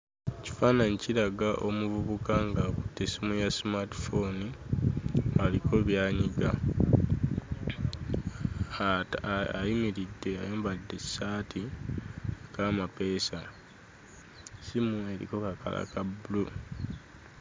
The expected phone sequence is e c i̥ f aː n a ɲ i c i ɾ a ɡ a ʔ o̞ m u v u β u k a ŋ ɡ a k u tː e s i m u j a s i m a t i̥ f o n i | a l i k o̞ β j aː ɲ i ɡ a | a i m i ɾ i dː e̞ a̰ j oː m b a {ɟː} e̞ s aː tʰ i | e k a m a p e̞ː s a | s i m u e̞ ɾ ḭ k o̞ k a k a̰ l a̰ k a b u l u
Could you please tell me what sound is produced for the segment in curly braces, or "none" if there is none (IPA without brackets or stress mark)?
dː